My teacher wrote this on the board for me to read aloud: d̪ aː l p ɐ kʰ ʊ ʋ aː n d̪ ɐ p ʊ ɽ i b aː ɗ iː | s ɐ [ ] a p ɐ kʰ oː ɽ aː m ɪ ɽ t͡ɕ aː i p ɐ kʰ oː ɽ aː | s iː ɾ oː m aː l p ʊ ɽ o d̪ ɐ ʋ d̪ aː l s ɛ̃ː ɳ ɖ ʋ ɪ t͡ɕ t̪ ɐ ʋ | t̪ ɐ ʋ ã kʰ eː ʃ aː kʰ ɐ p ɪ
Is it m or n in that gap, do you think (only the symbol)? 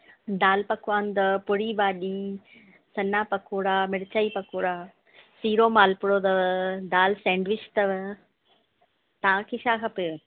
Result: n